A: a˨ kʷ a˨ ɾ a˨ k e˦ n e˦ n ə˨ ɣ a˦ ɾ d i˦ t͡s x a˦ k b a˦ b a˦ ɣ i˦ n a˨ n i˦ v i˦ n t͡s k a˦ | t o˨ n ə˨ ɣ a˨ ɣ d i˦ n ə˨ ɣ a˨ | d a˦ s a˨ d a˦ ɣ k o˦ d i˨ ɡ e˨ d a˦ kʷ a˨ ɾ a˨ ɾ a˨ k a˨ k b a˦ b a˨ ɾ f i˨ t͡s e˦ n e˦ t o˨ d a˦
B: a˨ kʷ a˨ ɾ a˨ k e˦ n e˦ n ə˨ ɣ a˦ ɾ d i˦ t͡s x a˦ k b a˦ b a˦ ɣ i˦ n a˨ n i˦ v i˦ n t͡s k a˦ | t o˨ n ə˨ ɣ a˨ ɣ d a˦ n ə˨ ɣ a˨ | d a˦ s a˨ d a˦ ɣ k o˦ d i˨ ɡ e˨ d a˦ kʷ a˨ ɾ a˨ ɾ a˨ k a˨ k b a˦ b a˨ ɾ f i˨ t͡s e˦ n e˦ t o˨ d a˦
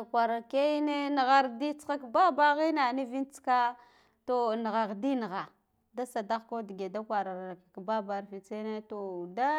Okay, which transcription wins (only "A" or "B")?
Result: A